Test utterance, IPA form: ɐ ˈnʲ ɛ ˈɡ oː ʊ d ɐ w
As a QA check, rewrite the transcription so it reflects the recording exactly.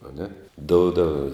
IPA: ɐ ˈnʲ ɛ ˈd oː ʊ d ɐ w